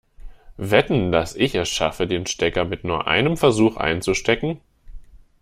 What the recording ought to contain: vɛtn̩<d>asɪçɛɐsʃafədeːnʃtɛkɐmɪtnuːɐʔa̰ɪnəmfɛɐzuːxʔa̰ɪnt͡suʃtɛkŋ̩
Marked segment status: correct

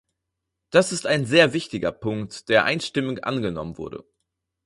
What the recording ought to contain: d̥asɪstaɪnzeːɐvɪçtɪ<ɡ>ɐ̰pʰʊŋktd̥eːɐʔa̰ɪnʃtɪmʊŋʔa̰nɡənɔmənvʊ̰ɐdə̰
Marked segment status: correct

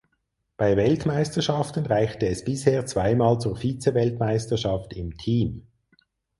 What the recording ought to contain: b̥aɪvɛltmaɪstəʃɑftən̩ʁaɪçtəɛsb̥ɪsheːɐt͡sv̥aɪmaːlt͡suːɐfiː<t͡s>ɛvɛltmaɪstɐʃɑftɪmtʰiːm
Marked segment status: correct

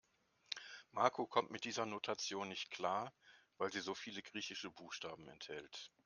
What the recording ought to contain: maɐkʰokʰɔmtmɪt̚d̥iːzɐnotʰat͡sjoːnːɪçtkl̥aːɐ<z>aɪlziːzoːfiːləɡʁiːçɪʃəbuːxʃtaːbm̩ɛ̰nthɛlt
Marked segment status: incorrect: v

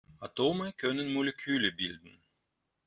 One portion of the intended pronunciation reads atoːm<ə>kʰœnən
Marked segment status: correct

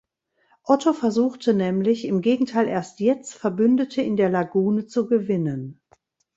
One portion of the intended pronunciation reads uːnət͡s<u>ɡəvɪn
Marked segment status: correct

